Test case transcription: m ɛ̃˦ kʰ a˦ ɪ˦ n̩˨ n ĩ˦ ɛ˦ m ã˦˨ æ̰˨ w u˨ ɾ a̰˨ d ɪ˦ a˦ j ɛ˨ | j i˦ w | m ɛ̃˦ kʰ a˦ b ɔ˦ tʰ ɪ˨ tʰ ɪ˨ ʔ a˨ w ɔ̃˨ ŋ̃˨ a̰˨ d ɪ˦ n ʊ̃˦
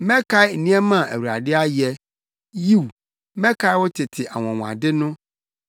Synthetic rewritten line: m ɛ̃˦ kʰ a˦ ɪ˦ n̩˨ n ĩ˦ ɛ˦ m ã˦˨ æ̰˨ w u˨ ɾ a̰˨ d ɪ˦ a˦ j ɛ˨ | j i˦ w | m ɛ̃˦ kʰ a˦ w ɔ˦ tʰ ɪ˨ tʰ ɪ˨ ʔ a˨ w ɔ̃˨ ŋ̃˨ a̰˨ d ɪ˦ n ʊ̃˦